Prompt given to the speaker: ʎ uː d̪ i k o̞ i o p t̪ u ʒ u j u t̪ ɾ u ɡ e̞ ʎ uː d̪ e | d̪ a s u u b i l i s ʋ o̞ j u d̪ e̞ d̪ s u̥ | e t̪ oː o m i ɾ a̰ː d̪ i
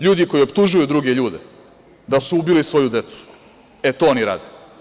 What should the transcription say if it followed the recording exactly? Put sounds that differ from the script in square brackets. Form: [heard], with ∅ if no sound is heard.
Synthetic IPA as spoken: ʎ uː d̪ i k o̞ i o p t̪ u ʒ u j u [d̪] ɾ u ɡ e̞ ʎ uː d̪ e | d̪ a s u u b i l i s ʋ o̞ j u d̪ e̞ [t̪] s u̥ | e t̪ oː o [n] i ɾ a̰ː d̪ [e]